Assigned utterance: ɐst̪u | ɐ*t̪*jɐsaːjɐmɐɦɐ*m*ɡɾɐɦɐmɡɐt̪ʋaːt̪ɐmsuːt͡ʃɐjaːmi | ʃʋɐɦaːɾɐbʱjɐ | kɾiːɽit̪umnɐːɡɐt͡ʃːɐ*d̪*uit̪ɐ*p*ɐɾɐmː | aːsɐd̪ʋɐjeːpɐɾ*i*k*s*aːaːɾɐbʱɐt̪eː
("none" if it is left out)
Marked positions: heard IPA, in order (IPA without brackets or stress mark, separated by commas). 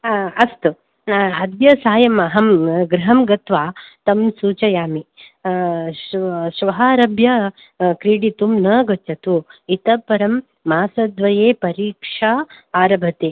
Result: d̪, m, t̪, p, iː, ʂ